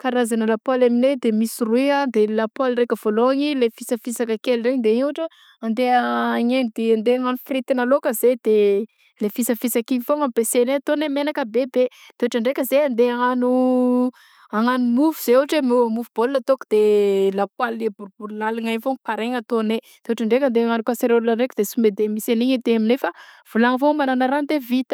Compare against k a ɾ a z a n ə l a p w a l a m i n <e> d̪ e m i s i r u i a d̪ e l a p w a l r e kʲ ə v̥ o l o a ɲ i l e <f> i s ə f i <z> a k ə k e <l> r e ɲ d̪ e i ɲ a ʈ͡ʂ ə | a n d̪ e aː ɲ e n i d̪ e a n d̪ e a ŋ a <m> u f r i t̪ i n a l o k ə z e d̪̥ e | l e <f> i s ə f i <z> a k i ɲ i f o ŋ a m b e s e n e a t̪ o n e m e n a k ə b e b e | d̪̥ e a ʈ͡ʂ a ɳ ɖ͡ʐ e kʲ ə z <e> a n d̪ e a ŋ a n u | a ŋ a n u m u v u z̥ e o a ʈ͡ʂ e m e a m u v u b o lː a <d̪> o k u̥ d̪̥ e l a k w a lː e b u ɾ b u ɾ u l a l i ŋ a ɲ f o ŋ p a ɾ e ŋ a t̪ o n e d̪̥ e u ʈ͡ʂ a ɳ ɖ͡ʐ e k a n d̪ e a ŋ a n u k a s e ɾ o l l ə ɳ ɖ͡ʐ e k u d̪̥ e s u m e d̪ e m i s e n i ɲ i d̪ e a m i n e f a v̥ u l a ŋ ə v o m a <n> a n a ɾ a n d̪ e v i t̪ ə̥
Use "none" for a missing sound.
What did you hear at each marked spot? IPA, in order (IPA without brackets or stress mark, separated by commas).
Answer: e, f, s, l, n, f, s, e, t̪, n